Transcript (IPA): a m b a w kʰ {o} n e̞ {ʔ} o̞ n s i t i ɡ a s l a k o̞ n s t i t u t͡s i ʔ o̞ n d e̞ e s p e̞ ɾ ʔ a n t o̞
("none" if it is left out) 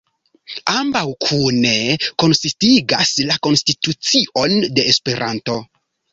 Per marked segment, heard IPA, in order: u, k

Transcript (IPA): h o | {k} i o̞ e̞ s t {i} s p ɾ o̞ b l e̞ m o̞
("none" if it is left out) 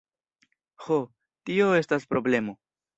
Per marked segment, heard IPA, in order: t, a

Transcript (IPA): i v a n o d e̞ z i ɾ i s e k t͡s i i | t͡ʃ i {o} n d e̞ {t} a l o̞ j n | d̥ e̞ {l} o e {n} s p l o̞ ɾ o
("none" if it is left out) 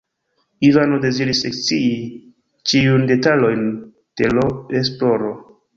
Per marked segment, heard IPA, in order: u, t, l, none

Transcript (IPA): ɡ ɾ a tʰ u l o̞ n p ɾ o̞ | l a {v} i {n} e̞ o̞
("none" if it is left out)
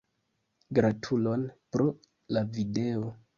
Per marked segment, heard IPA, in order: v, d

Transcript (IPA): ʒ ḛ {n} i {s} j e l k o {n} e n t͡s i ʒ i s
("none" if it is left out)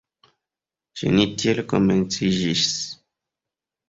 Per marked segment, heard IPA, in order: n, t, m

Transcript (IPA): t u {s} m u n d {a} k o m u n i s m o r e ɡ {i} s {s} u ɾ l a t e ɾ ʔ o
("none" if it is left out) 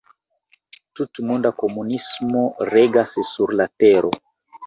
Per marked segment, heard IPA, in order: t, a, a, s

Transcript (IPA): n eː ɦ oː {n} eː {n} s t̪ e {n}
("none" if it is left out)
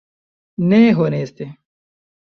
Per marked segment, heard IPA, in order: n, none, none

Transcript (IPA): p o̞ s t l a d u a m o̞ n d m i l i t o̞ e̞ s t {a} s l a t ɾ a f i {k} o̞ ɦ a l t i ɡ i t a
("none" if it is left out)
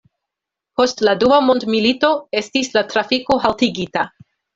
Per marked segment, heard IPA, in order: i, k

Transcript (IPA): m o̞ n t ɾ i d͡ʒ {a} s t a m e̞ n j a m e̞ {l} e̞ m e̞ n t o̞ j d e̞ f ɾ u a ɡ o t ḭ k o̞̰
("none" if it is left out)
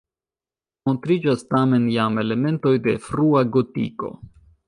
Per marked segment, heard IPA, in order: a, l

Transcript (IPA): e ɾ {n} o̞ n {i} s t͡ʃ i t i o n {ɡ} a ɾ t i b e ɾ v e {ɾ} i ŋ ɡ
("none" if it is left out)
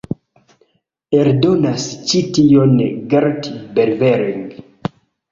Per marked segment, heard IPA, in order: d, a, ɡ, ɾ

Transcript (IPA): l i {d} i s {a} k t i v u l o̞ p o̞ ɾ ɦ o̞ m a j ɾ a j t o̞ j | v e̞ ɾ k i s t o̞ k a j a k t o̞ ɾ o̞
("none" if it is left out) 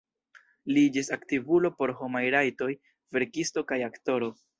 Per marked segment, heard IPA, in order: d͡ʒ, a

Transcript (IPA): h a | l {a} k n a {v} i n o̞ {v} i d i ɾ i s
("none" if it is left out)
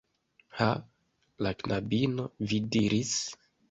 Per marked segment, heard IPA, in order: a, b, v

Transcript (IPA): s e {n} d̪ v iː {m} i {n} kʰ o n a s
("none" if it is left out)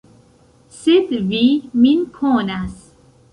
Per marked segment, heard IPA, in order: none, m, n

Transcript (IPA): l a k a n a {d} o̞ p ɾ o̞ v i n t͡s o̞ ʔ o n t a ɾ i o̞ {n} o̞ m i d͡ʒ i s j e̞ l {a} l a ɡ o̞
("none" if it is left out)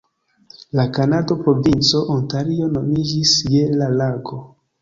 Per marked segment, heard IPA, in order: d, n, a

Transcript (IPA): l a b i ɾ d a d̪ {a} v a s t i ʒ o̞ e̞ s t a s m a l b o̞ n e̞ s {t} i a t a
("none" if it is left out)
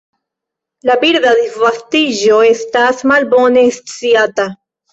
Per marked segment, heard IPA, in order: i, t͡s

